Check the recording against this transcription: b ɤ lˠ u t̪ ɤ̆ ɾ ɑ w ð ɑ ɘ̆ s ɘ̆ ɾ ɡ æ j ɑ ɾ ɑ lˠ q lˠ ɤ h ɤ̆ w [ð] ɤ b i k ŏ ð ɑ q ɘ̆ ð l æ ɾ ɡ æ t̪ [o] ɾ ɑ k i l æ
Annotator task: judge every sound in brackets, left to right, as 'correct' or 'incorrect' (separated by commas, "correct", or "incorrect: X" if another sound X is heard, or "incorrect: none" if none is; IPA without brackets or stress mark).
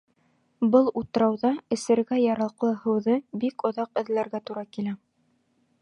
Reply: correct, incorrect: u